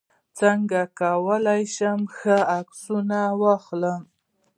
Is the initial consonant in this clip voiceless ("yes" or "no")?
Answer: yes